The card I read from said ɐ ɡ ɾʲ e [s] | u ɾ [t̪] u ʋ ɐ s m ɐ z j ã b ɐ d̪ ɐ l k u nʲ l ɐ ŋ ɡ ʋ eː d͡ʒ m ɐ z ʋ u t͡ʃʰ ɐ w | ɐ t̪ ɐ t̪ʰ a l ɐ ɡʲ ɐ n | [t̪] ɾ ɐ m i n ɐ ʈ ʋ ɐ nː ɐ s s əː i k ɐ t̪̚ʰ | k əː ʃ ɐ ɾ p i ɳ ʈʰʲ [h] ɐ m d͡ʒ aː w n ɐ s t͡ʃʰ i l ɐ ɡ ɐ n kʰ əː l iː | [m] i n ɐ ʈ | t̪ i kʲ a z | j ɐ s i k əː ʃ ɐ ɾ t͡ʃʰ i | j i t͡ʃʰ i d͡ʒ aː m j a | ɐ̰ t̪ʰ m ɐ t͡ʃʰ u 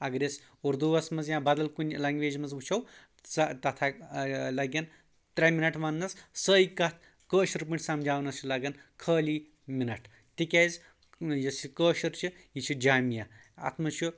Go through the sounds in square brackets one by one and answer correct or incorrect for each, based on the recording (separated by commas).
correct, incorrect, correct, incorrect, correct